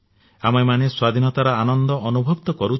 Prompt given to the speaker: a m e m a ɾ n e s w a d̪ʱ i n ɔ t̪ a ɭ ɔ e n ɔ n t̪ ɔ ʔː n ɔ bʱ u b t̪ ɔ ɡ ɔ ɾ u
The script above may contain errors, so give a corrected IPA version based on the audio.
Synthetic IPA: a m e m a n e s w a d̪ʱ i n ɔ t̪ a ɾ ɔ a n ɔ n d̪ ɔ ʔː n u bʱ ɔ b t̪ ɔ k ɔ ɾ u